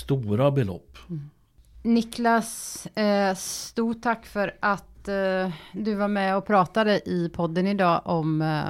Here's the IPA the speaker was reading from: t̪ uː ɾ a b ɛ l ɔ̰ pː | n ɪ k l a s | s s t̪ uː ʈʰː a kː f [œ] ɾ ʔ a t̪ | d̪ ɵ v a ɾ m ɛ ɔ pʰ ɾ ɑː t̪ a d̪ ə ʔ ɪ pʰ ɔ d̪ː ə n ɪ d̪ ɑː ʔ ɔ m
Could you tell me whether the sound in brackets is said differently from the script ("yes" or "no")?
no